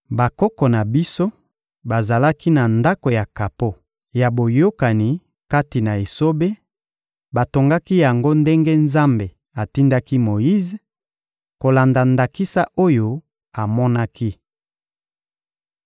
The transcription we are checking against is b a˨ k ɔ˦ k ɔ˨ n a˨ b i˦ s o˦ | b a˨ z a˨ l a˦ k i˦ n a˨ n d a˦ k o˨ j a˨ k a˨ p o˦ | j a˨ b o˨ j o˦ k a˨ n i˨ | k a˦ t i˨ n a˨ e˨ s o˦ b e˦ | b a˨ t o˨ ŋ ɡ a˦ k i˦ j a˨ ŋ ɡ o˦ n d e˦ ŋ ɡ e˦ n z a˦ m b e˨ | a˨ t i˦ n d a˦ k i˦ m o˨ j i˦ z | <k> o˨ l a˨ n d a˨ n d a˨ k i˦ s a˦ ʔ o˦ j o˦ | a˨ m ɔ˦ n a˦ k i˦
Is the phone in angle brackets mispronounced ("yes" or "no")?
no